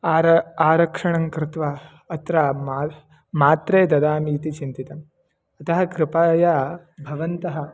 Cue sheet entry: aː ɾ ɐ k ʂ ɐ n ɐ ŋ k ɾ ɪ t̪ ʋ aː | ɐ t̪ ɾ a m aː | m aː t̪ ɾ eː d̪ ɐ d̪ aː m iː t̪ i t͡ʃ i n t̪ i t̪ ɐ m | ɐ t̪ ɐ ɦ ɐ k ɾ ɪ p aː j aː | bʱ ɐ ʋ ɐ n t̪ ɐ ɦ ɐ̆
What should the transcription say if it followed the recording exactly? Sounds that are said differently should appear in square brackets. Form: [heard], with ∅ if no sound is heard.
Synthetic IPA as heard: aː ɾ ɐ k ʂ ɐ [ɳ] ɐ ŋ k ɾ ɪ t̪ ʋ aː | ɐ t̪ ɾ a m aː | m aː t̪ ɾ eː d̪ ɐ d̪ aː m iː t̪ i t͡ʃ i n t̪ i t̪ ɐ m | ɐ t̪ ɐ ɦ ɐ k ɾ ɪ p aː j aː | bʱ ɐ ʋ ɐ n t̪ ɐ ɦ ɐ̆